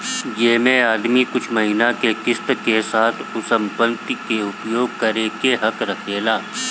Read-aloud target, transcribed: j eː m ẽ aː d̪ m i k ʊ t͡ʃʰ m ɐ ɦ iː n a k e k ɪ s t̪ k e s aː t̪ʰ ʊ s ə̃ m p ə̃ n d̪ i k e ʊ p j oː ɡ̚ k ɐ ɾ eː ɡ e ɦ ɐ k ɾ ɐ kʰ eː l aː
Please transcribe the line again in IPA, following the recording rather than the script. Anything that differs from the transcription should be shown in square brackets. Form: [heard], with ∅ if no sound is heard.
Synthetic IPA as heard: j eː m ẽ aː d̪ m i k ʊ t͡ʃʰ m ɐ ɦ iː n a k e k ɪ s t̪ k e s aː t̪ʰ ʊ s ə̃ m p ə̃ n [t̪] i k e ʊ p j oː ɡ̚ k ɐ ɾ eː [k] e ɦ ɐ k ɾ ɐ kʰ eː l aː

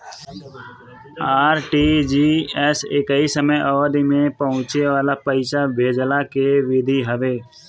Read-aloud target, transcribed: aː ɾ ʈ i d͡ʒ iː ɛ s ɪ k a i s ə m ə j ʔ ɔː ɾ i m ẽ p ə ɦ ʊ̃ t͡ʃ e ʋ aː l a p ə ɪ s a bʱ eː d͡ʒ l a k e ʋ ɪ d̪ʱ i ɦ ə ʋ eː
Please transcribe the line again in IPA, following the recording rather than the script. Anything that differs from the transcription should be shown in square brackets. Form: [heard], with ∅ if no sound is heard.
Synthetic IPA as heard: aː ɾ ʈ i d͡ʒ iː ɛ s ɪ k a i s ə m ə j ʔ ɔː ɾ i m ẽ p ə ɦ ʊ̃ t͡ʃ e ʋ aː l a p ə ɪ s a bʱ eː d͡ʒ l a k e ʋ ɪ d̪ʱ i ɦ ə ʋ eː

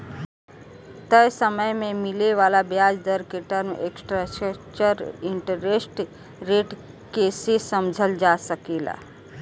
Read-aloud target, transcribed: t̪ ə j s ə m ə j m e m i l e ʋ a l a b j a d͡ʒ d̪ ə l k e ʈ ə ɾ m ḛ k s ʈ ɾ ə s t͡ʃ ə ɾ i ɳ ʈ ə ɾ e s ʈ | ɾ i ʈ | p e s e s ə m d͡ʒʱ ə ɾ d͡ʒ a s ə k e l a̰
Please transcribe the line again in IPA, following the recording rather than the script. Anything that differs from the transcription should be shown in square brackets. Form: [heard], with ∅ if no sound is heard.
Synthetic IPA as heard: t̪ ə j s ə m ə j m e m i l e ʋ a l a b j a d͡ʒ d̪ ə [ɾ] k e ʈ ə ɾ m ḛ k s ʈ ɾ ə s t͡ʃ ə ɾ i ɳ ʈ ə ɾ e s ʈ | ɾ [e] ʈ | [k] e s e s ə m d͡ʒʱ ə [l] d͡ʒ a s ə k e l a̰

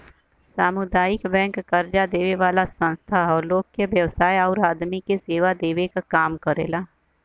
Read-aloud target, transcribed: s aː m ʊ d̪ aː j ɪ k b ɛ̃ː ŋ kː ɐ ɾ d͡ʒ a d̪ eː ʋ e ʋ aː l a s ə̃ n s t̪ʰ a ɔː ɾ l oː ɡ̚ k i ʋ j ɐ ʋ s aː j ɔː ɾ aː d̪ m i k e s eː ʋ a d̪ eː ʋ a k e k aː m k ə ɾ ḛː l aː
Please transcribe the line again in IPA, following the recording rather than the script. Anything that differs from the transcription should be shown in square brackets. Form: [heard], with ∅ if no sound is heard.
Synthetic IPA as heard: s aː m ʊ d̪ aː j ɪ k b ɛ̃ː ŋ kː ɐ ɾ d͡ʒ a d̪ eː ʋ e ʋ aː l a s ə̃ n s t̪ʰ a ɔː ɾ l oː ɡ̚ k [e] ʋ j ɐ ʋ s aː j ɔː ɾ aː d̪ m i k e s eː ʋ a d̪ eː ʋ [e] k [a] k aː m k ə ɾ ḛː l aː

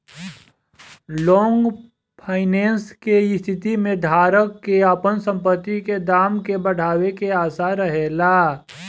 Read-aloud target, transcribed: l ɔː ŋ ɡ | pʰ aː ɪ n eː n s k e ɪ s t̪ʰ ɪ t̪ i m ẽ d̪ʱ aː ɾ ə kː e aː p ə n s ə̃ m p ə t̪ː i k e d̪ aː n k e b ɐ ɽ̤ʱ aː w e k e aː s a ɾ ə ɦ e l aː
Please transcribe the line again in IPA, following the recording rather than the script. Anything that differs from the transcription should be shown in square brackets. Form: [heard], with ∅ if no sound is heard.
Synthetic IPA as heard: l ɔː ŋ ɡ | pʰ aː ɪ n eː n s k e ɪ s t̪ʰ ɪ t̪ i m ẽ d̪ʱ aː ɾ ə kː e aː p ə n s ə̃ m p ə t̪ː i k e d̪ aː [m] k e b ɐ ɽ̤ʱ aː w e k e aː s a ɾ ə ɦ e l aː

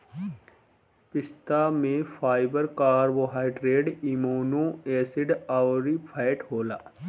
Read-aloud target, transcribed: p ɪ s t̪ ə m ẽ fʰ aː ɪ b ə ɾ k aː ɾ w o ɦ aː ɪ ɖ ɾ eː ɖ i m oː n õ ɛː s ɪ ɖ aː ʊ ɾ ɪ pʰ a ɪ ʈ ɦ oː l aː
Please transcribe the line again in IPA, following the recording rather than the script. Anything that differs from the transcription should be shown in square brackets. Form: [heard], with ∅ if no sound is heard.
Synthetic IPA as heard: p ɪ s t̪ [a] m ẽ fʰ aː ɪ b ə ɾ k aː ɾ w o ɦ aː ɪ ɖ ɾ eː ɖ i m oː n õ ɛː s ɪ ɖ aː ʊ ɾ [i] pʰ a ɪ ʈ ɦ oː l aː

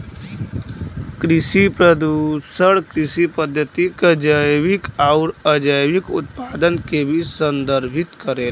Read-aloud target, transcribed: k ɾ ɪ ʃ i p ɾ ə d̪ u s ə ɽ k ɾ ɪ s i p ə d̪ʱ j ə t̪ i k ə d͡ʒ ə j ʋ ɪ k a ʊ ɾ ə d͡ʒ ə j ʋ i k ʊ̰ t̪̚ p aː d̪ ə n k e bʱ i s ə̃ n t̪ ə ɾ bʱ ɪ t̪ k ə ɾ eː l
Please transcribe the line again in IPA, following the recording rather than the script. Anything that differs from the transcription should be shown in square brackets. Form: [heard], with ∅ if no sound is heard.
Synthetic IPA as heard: k ɾ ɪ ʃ i p ɾ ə d̪ u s ə ɽ k ɾ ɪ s i p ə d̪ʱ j ə t̪ i k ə d͡ʒ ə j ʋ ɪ k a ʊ ɾ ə d͡ʒ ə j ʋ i k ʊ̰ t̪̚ p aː d̪ ə n k e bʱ i s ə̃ n [d̪] ə ɾ bʱ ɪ t̪ k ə ɾ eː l

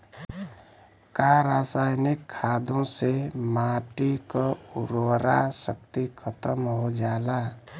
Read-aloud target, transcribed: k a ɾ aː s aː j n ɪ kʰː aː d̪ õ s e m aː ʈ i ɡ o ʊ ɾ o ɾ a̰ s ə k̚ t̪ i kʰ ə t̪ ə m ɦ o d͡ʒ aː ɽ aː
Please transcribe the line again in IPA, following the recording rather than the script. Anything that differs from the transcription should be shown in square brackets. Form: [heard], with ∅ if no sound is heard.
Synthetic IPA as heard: k a ɾ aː s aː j n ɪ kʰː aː d̪ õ s e m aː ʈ i [k] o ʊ ɾ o ɾ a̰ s ə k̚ t̪ i kʰ ə t̪ ə m ɦ o d͡ʒ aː [l] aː

